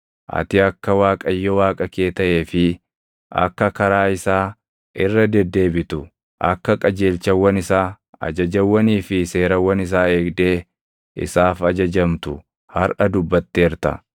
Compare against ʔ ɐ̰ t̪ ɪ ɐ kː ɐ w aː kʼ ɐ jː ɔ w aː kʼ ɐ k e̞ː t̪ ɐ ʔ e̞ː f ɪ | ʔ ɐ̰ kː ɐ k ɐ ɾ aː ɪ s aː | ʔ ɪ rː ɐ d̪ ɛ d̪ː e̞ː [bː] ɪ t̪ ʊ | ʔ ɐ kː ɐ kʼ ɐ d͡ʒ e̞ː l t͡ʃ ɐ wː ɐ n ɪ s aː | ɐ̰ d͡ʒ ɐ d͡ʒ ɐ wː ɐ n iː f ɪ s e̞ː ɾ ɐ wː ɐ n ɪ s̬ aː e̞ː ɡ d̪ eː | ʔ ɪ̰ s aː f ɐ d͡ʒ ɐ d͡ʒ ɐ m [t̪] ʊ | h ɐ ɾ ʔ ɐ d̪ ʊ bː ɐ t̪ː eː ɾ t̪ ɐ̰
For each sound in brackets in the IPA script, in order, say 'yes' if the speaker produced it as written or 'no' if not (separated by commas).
no, yes